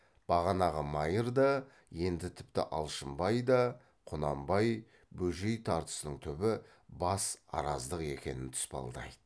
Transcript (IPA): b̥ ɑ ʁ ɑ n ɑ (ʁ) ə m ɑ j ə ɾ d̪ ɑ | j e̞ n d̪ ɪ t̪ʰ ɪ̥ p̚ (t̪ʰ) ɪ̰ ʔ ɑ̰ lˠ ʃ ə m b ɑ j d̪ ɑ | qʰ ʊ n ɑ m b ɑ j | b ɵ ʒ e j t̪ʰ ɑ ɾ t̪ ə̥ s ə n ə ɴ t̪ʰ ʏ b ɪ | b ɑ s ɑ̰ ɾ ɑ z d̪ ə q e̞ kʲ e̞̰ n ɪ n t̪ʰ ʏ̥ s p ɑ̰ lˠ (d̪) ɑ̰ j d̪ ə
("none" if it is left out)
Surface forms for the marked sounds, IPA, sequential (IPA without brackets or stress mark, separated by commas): ʁ, t̪, d̪